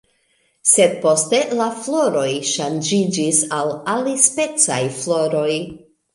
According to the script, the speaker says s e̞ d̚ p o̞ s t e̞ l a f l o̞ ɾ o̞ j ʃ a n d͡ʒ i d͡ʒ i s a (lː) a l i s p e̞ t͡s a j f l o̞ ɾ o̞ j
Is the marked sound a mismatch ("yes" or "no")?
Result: yes